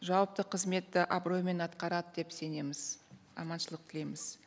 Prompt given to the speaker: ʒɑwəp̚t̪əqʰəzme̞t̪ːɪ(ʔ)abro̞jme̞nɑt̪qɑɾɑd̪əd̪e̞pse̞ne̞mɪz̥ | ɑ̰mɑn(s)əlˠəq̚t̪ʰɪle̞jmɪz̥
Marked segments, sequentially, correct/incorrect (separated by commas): correct, incorrect